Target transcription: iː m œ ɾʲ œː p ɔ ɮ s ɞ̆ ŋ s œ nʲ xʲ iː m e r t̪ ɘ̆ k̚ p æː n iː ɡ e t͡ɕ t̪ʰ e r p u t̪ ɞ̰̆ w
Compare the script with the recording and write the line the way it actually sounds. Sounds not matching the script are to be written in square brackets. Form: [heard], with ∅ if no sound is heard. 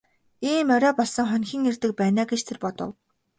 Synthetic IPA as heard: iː m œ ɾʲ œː p ɔ ɮ s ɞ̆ ŋ [χ] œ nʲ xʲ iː [ŋ] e r t̪ ɘ̆ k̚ p æː n [aː] ɡ e t͡ɕ t̪ʰ e r p [ɔ] t̪ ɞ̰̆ w